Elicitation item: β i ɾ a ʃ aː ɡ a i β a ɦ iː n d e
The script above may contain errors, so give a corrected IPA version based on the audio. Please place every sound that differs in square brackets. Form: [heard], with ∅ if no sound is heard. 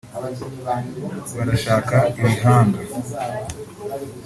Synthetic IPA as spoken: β [a] ɾ a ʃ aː [k] a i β [i] ɦ [aː] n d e